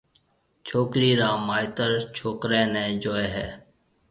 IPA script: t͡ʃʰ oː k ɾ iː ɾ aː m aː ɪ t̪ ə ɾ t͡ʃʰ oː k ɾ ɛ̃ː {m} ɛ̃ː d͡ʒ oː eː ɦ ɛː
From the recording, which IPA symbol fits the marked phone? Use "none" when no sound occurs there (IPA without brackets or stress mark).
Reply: n